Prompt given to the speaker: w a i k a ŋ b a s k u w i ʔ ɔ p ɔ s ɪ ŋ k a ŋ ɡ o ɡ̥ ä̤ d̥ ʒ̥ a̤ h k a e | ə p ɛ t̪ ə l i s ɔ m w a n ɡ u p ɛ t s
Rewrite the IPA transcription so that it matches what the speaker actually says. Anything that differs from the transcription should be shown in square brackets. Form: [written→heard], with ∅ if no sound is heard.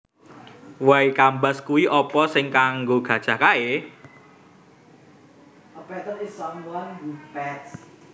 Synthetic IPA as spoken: w a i k a [ŋ→m] b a s k u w i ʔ ɔ p ɔ s ɪ ŋ k a ŋ ɡ o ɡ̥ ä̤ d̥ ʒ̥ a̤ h k a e | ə p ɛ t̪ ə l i s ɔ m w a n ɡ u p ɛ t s